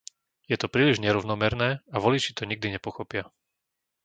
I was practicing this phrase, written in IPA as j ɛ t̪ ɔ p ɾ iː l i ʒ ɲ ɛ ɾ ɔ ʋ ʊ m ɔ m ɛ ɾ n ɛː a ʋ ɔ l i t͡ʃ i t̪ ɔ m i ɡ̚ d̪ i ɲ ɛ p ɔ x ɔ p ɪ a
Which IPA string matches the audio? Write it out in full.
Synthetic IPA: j ɛ t̪ ɔ p ɾ iː l i ʒ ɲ ɛ ɾ ɔ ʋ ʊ n ɔ m ɛ ɾ n ɛː a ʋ ɔ l i t͡ʃ i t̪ ɔ ɲ i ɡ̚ d̪ i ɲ ɛ p ɔ x ɔ p ɪ a

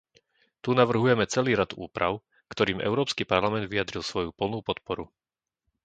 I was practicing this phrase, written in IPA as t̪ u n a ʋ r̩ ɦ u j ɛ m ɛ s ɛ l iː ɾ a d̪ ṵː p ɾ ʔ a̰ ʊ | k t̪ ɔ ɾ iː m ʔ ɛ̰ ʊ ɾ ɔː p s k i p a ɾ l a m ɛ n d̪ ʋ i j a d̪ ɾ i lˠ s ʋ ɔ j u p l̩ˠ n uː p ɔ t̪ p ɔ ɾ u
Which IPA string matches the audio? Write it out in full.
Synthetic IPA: t̪ u n a ʋ r̩ ɦ u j ɛ m ɛ t͡s ɛ l iː ɾ a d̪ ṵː p ɾ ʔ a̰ ʊ | k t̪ ɔ ɾ iː m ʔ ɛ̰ ʊ ɾ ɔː p s k i p a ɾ l a m ɛ n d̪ ʋ i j a d̪ ɾ i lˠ s ʋ ɔ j u p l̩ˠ n uː p ɔ t̪ p ɔ ɾ u

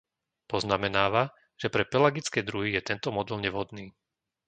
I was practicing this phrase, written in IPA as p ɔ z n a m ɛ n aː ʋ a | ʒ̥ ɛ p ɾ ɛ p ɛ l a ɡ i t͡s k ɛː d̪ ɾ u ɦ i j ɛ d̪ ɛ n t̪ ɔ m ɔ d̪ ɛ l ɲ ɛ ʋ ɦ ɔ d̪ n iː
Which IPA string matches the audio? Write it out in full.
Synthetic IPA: p ɔ z n a m ɛ n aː ʋ a | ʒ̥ ɛ p ɾ ɛ p ɛ l a ɡ i t͡s k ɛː d̪ ɾ u ɦ i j ɛ t̪ ɛ n t̪ ɔ m ɔ d̪ ɛ l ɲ ɛ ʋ ɦ ɔ d̪ n iː

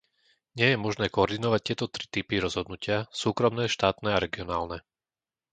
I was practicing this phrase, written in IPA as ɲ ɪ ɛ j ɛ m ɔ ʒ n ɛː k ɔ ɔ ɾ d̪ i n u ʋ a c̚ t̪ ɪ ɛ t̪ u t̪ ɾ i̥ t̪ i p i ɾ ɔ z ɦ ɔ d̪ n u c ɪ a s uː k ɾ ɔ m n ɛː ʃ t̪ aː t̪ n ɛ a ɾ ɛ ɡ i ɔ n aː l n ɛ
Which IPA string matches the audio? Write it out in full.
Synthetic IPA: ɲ ɪ ɛ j ɛ m ɔ ʒ n ɛː k ɔ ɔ ɾ d̪ i n ɔ ʋ a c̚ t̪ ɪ ɛ t̪ ɔ t̪ ɾ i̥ t̪ i p i ɾ ɔ z ɦ ɔ d̪ n u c ɪ a s uː k ɾ ɔ m n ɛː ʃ t̪ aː t̪ n ɛ a ɾ ɛ ɡ i ɔ n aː l n ɛ

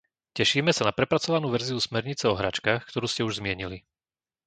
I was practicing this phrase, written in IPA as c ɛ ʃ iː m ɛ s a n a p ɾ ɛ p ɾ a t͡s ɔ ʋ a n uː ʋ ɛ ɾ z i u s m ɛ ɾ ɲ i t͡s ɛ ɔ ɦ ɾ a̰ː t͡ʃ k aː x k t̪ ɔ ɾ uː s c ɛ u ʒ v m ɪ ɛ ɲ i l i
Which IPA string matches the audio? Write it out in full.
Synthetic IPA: c ɛ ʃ iː m ɛ s a n a p ɾ ɛ p ɾ a t͡s ɔ ʋ a n uː ʋ ɛ ɾ z i u s m ɛ ɾ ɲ i t͡s ɛ ɔ ɦ ɾ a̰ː t͡ʃ k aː x k t̪ ɔ ɾ uː s c ɛ u ʒ z m ɪ ɛ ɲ i l i

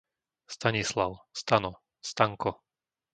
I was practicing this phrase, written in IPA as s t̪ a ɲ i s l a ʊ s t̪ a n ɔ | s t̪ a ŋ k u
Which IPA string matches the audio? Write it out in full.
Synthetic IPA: s t̪ a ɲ i s l a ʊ s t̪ a n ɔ | s t̪ a ŋ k ɔ

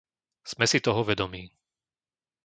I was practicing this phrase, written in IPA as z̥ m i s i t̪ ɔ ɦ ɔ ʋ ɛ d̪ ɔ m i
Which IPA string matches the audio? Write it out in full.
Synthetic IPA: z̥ m ɛ s i t̪ ɔ ɦ ɔ ʋ ɛ d̪ ɔ m iː

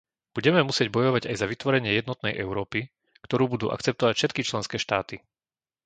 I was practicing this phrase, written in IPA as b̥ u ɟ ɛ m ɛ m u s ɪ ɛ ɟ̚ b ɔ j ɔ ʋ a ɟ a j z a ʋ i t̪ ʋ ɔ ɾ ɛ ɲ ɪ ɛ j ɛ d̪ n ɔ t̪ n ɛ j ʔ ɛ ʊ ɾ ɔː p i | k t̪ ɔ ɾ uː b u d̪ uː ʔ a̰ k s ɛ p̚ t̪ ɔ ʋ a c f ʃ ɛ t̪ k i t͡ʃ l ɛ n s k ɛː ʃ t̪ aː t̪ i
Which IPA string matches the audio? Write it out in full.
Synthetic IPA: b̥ u ɟ ɛ m ɛ m u s ɪ ɛ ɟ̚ b ɔ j ɔ ʋ a ɟ a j z a ʋ i t̪ ʋ ɔ ɾ ɛ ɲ ɪ ɛ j ɛ d̪ n ɔ t̪ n ɛ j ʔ ɛ ʊ ɾ ɔː p i | k t̪ ɔ ɾ uː b u d̪ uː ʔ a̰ k t͡s ɛ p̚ t̪ ɔ ʋ a c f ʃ ɛ t̪ k i t͡ʃ l ɛ n s k ɛː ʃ t̪ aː t̪ i

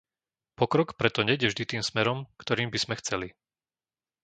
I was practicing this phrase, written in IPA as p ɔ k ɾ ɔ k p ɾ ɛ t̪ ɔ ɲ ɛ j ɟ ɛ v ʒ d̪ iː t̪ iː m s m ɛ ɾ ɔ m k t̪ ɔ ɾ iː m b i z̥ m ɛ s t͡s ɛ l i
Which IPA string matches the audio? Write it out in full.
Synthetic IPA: p ɔ k ɾ ɔ k p ɾ ɛ t̪ ɔ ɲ ɛ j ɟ ɛ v ʒ d̪ i t̪ iː m s m ɛ ɾ ɔ m k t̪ ɔ ɾ iː m b i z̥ m ɛ x t͡s ɛ l i

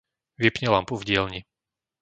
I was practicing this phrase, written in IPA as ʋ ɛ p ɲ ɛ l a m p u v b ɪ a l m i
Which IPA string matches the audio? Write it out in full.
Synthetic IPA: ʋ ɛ p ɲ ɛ l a m p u v ɟ ɪ ɛ l ɲ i

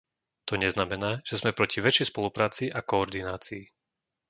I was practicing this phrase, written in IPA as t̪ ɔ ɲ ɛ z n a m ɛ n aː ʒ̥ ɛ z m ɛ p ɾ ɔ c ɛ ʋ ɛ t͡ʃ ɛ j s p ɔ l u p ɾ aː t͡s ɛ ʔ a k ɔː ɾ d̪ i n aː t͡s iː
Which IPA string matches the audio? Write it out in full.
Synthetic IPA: t̪ ɔ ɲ ɛ z n a m ɛ n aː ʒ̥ ɛ z m ɛ p ɾ ɔ c i ʋ ɛ t͡ʃ ɛ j s p ɔ l u p ɾ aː t͡s i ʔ a k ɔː ɾ d̪ i n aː t͡s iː

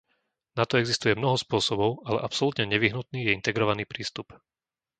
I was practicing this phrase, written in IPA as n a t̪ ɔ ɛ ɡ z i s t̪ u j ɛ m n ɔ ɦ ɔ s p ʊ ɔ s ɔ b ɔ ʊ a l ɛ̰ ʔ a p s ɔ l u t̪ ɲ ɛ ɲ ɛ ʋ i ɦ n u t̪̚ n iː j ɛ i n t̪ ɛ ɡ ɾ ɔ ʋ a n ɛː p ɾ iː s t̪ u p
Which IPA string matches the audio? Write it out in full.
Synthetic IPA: n a t̪ ɔ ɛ ɡ z i s t̪ u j ɛ m n ɔ ɦ ɔ s p ʊ ɔ s ɔ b ɔ ʊ a l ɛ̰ ʔ a p s ɔ l u t̪ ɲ ɛ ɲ ɛ ʋ i ɦ n u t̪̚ n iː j ɛ i n t̪ ɛ ɡ ɾ ɔ ʋ a n iː p ɾ iː s t̪ u p

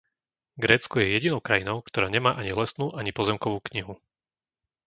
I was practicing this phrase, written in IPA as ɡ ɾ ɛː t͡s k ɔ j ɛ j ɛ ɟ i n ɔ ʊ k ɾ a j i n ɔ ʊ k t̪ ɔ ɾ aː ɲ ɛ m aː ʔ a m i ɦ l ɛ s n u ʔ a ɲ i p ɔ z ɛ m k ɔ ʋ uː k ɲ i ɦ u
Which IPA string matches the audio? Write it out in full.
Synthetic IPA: ɡ ɾ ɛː t͡s k ɔ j ɛ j ɛ ɟ i n ɔ ʊ k ɾ a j i n ɔ ʊ k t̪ ɔ ɾ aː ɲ ɛ m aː ʔ a ɲ i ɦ l ɛ s n uː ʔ a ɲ i p ɔ z ɛ m k ɔ ʋ uː k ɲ i ɦ u

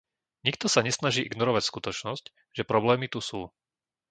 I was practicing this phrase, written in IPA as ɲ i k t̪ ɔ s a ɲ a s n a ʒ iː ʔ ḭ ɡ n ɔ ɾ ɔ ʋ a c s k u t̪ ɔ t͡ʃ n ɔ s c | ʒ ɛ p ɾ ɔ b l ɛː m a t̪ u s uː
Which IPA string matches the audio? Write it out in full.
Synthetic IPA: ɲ i k t̪ ɔ s a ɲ ɛ s n a ʒ iː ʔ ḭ ɡ n ɔ ɾ ɔ ʋ a c s k u t̪ ɔ t͡ʃ n ɔ s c | ʒ ɛ p ɾ ɔ b l ɛː m i t̪ u s uː

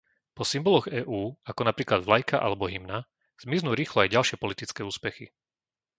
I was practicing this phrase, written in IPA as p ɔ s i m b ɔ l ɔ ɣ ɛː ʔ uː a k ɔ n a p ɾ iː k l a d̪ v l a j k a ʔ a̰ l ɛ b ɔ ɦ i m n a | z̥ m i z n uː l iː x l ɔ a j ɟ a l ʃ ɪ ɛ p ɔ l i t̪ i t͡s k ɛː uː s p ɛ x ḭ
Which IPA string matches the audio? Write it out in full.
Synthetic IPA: p ɔ s i m b ɔ l ɔ ɣ ɛː ʔ uː a k ɔ n a p ɾ iː k l a d̪ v l a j k a ʔ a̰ l ɛ b ɔ ɦ i m n a | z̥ m i z n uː ɾ iː x l ɔ a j ɟ a l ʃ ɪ ɛ p ɔ l i t̪ i t͡s k ɛː uː s p ɛ x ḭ

